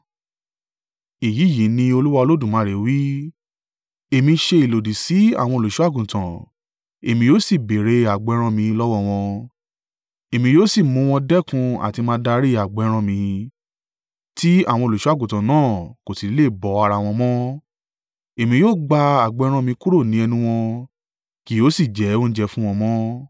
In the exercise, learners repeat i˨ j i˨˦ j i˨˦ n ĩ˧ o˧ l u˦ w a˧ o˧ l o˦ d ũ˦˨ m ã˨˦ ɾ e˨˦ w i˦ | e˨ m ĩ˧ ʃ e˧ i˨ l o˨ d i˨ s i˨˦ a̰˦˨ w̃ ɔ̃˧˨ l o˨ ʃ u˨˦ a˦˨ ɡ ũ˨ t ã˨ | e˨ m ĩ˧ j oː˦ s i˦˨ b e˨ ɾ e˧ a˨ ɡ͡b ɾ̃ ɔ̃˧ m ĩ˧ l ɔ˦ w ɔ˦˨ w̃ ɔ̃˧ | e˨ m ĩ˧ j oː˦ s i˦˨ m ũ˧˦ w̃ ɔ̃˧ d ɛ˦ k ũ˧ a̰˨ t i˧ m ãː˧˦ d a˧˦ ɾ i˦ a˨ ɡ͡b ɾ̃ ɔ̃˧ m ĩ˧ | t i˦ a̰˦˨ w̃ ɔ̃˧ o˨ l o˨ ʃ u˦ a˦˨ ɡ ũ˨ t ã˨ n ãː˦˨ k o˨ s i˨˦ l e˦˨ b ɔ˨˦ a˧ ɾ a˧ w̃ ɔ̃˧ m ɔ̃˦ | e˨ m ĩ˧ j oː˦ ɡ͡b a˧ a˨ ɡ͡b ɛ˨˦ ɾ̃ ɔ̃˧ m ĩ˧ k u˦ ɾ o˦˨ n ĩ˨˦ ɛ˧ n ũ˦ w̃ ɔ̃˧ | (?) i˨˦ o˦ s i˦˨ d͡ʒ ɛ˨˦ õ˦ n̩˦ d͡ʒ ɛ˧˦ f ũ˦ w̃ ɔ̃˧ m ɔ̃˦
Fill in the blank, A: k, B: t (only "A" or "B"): A